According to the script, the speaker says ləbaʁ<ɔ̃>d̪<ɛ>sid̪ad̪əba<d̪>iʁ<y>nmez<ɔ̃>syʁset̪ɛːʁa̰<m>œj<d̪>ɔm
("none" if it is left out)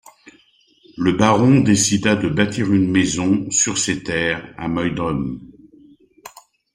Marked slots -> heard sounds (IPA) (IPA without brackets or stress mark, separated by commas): ɔ̃, e, t̪, y, ɔ̃, m, d̪